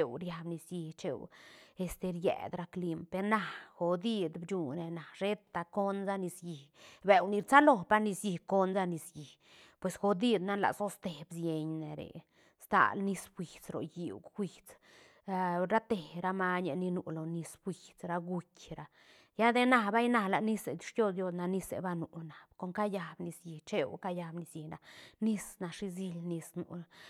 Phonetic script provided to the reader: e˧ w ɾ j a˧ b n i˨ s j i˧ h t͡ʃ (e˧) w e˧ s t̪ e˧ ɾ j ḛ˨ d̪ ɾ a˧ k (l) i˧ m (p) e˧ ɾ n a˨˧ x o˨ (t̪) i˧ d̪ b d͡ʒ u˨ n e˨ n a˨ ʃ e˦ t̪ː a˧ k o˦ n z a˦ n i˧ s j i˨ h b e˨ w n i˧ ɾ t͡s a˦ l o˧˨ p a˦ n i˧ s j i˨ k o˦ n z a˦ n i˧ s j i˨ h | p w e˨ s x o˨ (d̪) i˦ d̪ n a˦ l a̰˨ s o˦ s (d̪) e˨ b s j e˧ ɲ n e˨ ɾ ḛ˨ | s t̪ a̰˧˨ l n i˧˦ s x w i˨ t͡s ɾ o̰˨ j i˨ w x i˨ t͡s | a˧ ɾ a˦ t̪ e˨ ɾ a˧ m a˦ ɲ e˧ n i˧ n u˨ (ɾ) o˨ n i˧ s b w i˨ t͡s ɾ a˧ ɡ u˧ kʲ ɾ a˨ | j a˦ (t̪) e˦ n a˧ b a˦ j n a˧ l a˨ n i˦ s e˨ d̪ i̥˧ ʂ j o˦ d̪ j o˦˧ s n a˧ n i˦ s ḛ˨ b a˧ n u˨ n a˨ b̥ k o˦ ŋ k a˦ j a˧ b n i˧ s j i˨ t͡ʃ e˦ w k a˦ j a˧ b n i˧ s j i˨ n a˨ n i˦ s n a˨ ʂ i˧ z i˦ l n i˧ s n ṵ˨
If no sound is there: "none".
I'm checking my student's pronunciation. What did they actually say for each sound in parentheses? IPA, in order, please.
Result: e˧, l, p, d̪, d̪, t̪, l, d̪

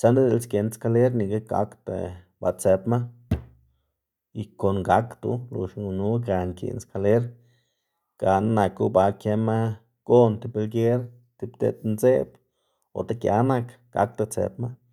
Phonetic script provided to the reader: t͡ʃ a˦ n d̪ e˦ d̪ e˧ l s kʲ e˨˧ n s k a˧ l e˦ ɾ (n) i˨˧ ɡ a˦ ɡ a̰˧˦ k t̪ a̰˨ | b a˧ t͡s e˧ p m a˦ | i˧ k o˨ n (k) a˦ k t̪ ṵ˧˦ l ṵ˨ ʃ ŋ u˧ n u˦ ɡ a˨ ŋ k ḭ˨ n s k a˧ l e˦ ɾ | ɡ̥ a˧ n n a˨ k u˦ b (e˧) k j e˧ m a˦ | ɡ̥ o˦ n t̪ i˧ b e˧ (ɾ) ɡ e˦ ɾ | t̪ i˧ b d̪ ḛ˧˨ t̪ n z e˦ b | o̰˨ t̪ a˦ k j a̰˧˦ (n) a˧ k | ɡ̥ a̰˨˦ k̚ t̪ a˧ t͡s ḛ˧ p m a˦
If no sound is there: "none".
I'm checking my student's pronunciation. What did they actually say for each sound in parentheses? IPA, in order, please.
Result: n, ɡ, a˧, l, n

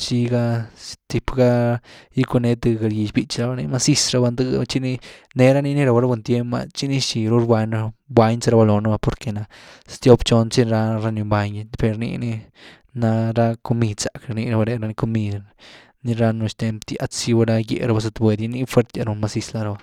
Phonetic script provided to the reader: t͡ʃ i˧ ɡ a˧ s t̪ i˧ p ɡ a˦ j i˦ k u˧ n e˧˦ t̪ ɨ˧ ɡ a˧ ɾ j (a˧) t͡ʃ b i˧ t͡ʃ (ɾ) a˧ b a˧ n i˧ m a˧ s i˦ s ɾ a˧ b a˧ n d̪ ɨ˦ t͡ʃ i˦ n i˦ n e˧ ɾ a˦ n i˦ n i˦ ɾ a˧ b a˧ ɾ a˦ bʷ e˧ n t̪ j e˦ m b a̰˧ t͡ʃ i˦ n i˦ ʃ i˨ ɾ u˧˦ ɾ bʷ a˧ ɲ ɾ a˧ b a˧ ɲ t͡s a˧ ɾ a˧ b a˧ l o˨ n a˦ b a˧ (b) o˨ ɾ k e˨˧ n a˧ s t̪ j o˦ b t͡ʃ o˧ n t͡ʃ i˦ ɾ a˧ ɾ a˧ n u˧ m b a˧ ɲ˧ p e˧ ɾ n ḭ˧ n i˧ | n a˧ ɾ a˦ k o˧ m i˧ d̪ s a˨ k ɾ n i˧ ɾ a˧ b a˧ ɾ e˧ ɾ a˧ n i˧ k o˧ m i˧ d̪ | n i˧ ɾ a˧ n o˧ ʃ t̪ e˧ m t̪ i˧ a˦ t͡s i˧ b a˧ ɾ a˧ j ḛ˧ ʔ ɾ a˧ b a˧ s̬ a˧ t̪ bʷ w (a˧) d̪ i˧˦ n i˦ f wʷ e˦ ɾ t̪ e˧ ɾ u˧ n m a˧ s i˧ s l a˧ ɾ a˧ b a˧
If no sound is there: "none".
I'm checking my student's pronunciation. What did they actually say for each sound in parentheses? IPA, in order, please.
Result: i˧, ɾ, p, e˧

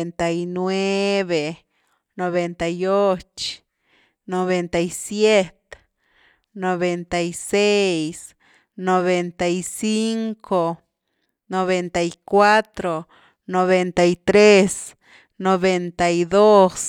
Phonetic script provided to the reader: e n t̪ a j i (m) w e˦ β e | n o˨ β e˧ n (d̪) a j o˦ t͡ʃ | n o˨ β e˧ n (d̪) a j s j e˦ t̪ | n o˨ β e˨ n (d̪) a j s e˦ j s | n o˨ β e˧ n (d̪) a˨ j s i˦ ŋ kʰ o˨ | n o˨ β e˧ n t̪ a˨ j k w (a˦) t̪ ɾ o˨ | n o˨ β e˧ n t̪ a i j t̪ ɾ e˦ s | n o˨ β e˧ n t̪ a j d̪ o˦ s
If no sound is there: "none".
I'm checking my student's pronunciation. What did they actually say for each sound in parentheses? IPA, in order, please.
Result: n, t̪, t̪, t̪, t̪, a˦

